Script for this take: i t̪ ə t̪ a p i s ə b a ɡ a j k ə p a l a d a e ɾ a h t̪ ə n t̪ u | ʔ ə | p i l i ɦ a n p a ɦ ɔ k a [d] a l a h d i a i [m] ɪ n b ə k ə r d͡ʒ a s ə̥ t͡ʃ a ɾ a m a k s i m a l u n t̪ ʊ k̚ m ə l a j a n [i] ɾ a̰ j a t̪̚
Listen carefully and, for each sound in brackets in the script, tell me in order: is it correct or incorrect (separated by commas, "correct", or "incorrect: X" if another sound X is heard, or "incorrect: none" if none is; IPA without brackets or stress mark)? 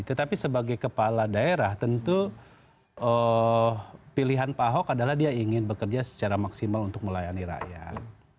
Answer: correct, incorrect: ŋ, correct